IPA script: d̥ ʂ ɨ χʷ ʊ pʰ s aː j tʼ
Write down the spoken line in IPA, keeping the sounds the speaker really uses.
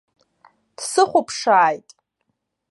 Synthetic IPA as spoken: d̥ s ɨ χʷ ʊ pʰ ʂ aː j tʼ